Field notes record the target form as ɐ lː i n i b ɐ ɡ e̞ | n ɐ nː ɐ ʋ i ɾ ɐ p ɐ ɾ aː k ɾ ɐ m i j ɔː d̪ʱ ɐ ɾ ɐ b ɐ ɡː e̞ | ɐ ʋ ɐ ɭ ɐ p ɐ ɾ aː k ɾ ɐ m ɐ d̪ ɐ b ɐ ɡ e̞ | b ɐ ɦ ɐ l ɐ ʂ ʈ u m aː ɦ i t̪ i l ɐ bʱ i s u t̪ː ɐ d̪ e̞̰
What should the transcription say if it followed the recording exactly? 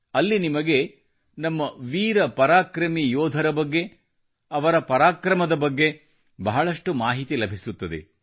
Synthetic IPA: ɐ lː i n i m ɐ ɡ e̞ | n ɐ mː ɐ ʋ iː ɾ ɐ p ɐ ɾ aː k ɾ ɐ m i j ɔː d̪ʱ ɐ ɾ ɐ b ɐ ɡː e̞ | ɐ ʋ ɐ ɾ ɐ p ɐ ɾ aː k ɾ ɐ m ɐ d̪ ɐ b ɐ ɡː e̞ | b ɐ ɦ ɐ ɭ ɐ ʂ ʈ u m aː ɦ i t̪ i l ɐ bʱ i s u t̪ː ɐ d̪ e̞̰